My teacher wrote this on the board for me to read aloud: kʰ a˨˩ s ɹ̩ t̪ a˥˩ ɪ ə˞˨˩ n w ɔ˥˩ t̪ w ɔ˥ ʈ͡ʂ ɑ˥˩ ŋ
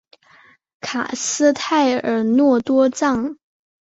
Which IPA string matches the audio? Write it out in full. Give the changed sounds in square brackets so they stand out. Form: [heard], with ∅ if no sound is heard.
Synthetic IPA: kʰ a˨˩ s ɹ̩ [t̪ʰ] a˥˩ ɪ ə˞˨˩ n w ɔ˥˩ t̪ w ɔ˥ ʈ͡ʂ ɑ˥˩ ŋ